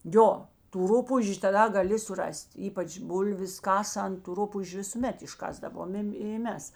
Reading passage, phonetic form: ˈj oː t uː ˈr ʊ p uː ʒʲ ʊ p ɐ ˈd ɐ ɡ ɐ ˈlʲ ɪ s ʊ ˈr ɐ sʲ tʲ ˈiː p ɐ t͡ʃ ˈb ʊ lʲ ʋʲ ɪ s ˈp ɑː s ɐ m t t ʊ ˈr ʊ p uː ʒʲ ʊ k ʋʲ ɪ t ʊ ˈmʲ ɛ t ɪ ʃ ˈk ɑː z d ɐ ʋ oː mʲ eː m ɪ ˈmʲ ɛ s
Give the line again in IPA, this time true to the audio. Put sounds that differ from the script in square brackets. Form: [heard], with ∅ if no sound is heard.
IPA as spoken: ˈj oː t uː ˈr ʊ p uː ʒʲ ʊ [t] ɐ ˈd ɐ ɡ ɐ ˈlʲ ɪ s ʊ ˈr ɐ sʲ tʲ ˈiː p ɐ t͡ʃ ˈb ʊ lʲ ʋʲ ɪ s [ˈk] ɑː s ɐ [n] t t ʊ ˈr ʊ p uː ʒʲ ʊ [∅] ʋʲ ɪ [s] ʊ ˈmʲ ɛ t ɪ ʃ ˈk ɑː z d ɐ ʋ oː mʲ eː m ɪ ˈmʲ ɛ s